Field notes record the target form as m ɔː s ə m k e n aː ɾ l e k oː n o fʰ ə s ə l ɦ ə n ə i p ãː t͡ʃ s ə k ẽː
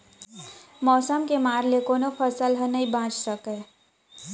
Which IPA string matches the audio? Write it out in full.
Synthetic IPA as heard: m ɔː s ə m k e m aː ɾ l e k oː n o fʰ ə s ə l ɦ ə n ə i b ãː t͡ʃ s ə k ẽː